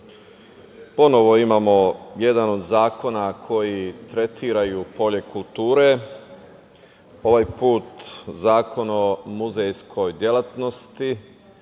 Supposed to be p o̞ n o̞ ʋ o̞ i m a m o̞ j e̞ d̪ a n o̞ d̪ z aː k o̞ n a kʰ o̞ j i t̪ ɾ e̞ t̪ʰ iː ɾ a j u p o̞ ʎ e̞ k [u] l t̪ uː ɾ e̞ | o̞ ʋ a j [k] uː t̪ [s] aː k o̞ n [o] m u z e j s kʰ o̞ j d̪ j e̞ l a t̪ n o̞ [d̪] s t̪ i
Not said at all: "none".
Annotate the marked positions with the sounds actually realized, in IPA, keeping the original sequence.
u, p, z, o, none

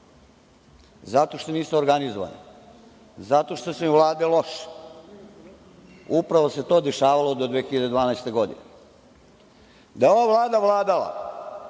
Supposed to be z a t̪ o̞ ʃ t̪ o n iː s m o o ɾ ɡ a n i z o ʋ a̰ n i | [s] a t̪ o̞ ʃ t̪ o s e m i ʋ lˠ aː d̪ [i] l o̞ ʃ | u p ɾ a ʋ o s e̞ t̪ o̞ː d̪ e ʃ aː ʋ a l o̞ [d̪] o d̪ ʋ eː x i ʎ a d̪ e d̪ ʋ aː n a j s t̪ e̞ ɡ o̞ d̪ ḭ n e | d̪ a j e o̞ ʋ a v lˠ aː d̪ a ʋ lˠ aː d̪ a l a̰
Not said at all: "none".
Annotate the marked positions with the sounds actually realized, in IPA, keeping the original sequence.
z, e, d̪

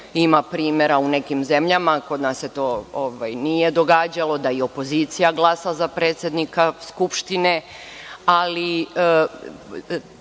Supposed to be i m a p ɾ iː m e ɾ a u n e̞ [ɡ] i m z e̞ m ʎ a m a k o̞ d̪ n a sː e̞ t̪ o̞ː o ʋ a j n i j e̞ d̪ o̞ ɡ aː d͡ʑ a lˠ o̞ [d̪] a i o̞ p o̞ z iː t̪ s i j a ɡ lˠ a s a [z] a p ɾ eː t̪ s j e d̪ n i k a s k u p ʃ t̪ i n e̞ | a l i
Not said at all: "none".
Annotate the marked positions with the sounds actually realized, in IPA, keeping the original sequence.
k, d̪, z

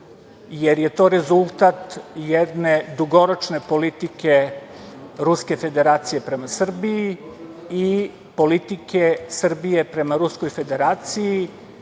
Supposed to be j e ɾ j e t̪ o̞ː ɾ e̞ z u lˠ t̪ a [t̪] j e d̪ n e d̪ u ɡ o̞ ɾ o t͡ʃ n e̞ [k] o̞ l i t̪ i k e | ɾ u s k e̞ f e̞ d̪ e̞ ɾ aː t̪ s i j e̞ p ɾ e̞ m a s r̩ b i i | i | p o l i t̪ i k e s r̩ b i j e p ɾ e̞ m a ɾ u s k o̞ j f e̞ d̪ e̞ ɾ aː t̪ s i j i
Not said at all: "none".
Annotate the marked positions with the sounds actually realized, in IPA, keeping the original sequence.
t̪, p

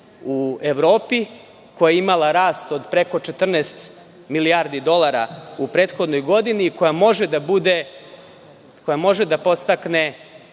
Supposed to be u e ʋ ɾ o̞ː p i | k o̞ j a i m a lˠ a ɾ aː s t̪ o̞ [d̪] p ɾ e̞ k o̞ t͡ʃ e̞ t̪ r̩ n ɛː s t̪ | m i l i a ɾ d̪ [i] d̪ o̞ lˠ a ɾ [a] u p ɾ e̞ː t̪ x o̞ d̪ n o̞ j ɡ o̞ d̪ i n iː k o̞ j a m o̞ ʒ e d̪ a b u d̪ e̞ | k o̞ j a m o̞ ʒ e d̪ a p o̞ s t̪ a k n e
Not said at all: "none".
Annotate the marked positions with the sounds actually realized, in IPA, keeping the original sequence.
d̪, i, a

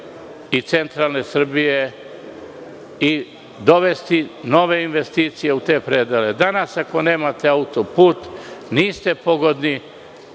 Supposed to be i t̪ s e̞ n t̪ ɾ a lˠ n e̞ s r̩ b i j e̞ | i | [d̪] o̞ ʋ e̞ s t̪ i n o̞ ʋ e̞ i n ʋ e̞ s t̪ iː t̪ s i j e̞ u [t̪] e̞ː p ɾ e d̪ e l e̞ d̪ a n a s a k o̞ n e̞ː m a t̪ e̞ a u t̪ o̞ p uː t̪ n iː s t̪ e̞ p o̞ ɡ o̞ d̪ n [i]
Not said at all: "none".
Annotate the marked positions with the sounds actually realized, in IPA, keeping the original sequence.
d̪, t̪, i

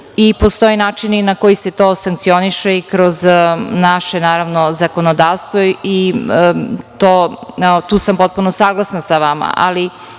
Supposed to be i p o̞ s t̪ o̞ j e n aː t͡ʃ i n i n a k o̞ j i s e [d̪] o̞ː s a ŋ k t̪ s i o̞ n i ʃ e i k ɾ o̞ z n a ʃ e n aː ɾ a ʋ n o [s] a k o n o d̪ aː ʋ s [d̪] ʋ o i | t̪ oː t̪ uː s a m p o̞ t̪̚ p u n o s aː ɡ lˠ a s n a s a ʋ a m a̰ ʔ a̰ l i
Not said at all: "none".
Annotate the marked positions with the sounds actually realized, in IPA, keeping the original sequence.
t̪, z, t̪

